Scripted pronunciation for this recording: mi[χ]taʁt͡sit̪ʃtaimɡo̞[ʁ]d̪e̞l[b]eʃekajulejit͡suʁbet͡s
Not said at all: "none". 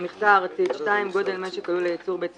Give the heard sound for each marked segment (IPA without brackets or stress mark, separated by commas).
χ, none, m